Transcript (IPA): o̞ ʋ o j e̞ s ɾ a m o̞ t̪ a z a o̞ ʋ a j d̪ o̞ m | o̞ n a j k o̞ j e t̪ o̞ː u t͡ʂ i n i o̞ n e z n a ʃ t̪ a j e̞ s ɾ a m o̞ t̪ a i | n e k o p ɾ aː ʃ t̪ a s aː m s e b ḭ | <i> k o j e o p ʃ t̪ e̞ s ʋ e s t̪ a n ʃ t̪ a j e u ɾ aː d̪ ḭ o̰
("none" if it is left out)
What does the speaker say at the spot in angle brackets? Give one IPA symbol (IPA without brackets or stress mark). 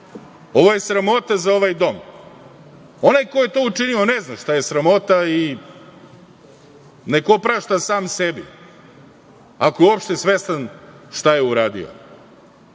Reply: a